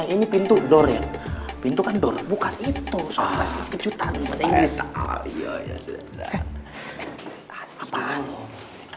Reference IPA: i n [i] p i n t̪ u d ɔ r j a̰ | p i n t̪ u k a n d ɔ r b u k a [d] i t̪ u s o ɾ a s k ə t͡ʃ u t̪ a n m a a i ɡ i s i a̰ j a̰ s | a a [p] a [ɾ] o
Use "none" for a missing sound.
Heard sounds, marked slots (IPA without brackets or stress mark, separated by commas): i, n, p, l